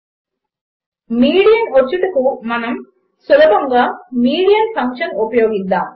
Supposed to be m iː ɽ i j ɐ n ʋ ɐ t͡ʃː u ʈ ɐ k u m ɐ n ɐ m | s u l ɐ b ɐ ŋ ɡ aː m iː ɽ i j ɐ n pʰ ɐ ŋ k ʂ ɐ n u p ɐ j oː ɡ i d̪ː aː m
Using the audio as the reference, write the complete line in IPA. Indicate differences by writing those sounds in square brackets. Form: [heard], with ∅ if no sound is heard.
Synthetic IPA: m iː ɽ i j ɐ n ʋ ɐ t͡ʃː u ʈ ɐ k u m ɐ n ɐ m | s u l ɐ b ɐ ŋ ɡ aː m iː ɽ i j ɐ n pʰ ɐ ŋ k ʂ ɐ n u p ɐ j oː ɡ i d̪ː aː m